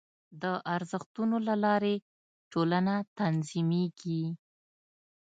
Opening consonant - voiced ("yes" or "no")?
yes